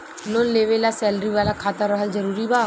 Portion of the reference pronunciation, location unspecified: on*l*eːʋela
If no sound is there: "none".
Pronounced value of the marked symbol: l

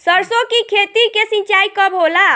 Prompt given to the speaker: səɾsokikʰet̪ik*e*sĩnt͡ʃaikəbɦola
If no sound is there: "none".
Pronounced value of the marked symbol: e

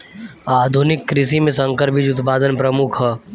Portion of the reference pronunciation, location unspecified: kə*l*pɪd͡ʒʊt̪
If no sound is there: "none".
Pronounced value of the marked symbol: ɾ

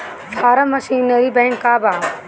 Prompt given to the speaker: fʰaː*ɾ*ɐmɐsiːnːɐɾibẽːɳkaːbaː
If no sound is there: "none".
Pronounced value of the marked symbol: ɾ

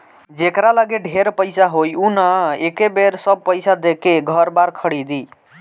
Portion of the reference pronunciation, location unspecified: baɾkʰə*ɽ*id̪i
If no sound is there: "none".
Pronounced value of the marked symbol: ɽ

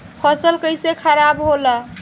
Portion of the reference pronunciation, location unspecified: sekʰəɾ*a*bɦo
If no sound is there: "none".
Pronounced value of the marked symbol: a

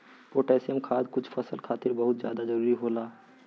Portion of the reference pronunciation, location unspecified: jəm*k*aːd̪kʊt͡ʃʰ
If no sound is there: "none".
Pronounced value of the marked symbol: kʰ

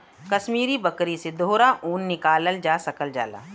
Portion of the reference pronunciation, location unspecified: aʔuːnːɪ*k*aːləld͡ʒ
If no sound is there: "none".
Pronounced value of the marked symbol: k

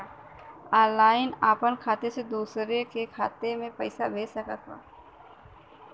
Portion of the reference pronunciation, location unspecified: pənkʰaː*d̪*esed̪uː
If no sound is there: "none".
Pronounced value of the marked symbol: t̪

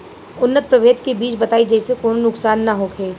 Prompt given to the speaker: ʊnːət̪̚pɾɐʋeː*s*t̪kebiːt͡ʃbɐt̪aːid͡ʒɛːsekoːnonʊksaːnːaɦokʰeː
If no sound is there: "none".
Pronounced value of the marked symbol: none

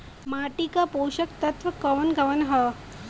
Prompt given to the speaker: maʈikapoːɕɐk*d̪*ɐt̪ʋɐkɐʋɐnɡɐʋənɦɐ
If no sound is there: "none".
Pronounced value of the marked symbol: t̪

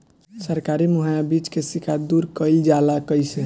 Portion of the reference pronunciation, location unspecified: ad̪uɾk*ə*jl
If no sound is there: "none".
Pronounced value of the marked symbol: ə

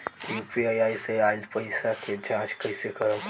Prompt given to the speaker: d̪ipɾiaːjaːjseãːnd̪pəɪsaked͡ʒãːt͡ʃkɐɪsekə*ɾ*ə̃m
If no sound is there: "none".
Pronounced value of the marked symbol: ɾ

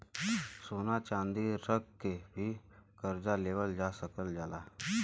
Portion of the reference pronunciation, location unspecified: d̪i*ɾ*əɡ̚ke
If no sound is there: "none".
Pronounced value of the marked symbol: ɾ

